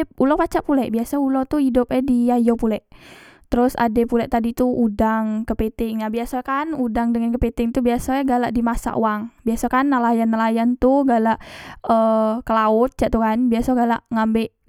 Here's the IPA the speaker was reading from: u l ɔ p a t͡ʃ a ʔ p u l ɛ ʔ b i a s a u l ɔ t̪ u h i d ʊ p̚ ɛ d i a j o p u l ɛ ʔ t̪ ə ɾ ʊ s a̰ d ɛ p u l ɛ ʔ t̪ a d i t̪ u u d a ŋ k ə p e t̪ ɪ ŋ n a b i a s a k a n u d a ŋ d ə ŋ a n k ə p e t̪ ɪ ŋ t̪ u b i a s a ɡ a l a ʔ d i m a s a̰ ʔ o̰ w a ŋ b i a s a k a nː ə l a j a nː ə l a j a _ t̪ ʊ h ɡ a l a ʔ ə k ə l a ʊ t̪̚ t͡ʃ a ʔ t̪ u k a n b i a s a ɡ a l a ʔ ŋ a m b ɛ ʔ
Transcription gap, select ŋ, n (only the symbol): n